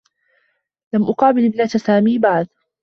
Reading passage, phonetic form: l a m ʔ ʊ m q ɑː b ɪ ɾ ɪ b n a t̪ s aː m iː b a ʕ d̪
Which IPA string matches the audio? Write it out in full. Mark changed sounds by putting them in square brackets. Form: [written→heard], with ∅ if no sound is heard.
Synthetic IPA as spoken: l a m ʔ ʊ [m→∅] q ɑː b ɪ [ɾ→l] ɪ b n a t̪ s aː m iː b a ʕ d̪